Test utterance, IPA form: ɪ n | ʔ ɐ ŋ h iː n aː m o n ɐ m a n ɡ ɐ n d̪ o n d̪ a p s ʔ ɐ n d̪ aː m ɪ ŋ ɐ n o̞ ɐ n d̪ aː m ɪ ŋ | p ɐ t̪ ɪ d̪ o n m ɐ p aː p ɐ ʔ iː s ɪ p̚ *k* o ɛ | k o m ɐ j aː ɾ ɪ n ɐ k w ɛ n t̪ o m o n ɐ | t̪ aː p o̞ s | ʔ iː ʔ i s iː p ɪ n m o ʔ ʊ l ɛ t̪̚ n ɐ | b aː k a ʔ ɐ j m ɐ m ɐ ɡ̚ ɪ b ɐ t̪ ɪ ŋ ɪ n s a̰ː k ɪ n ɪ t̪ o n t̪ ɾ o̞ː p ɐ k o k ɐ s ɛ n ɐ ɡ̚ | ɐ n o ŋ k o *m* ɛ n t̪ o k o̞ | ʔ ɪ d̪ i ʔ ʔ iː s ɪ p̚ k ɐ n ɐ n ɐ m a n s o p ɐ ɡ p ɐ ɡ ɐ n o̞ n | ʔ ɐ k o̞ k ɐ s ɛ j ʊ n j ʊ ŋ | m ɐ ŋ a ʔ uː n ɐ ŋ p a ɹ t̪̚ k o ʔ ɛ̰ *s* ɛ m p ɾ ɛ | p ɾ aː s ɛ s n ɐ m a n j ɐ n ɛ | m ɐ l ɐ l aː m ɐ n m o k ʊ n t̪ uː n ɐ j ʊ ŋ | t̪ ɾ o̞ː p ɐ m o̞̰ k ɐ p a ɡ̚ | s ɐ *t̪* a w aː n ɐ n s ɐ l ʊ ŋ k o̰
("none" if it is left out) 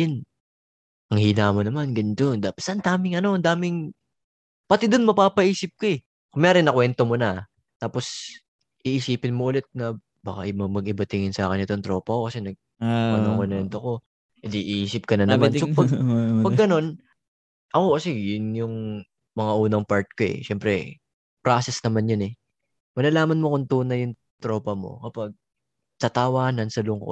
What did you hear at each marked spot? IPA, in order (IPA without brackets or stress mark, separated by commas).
k, n, ʃ, t̪